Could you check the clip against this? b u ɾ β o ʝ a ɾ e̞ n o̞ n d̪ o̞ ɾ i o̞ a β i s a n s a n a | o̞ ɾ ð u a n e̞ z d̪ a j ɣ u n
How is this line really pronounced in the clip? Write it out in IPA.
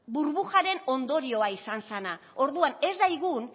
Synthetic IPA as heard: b u ɾ β u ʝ a ɾ e̞ n o̞ n d̪ o̞ ɾ i o̞ a i s a n s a n a | o̞ ɾ ð u a n e̞ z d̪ a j ɣ u n